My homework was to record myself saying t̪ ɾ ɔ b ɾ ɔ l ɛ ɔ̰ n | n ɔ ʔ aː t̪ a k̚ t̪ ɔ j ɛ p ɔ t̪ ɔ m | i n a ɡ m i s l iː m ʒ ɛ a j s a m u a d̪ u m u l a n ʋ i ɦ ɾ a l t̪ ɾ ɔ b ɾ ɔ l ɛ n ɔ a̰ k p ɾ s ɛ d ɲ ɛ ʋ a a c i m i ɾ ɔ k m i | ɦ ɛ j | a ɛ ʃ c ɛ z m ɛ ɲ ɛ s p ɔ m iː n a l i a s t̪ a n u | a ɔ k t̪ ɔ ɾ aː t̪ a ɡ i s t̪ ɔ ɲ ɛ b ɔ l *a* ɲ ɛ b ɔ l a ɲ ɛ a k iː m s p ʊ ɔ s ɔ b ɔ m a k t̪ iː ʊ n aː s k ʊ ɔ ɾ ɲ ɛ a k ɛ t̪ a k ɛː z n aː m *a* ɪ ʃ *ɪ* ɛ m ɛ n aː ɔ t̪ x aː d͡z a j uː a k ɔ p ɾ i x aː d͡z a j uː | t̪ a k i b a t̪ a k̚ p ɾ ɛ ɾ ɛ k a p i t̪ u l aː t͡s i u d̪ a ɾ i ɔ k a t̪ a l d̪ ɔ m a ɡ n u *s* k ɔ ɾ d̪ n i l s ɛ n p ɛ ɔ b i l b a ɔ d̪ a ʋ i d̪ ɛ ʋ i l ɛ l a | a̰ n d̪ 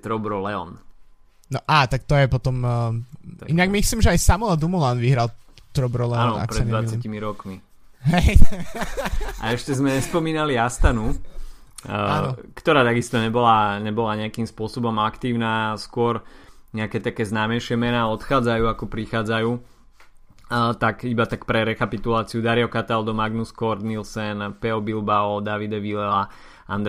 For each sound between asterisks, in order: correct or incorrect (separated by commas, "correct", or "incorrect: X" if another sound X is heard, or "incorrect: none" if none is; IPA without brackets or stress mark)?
correct, incorrect: ɛ, correct, correct